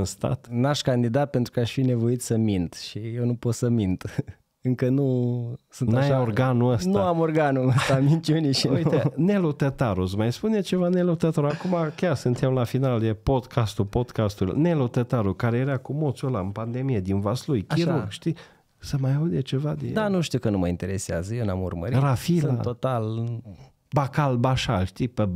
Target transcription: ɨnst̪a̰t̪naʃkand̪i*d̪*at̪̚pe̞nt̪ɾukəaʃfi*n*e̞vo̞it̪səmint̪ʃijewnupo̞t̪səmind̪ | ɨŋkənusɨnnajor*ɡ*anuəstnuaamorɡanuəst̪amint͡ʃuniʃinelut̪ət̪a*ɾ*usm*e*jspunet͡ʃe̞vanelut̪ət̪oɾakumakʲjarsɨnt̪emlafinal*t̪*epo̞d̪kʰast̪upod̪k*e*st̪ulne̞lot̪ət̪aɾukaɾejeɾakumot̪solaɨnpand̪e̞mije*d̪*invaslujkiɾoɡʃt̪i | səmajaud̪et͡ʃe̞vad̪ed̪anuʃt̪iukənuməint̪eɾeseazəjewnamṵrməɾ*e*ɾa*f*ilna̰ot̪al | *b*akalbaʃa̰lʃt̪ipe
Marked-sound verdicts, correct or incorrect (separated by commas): correct, correct, correct, correct, incorrect, incorrect, incorrect, correct, incorrect, correct, correct